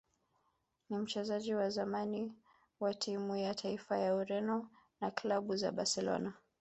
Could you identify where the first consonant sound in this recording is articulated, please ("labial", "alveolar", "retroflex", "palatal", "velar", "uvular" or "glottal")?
alveolar